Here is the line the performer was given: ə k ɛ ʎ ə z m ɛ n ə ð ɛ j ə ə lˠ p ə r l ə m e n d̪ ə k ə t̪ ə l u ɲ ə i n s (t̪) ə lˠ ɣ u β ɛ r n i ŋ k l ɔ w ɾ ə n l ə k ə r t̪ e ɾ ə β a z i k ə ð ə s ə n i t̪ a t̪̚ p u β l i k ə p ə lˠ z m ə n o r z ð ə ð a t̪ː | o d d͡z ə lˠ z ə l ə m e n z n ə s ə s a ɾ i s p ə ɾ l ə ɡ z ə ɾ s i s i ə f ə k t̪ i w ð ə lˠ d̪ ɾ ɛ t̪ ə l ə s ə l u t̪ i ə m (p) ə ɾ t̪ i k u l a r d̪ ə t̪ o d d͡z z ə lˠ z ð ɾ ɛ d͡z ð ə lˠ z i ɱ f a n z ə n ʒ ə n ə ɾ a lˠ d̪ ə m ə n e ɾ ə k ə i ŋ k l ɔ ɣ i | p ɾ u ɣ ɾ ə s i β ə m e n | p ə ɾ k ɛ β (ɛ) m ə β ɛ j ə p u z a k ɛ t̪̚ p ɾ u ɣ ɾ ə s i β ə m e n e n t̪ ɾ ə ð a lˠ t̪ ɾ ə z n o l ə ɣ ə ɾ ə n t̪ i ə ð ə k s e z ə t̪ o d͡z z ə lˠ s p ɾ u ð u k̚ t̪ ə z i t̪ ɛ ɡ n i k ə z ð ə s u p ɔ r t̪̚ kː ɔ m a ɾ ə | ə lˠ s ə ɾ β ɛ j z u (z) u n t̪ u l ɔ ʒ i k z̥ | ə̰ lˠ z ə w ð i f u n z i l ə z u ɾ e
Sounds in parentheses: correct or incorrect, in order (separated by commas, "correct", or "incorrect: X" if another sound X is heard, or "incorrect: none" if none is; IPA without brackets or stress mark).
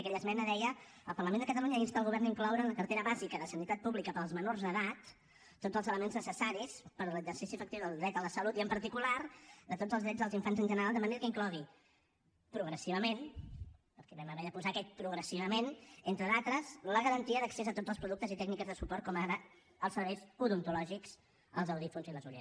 correct, correct, correct, incorrect: ð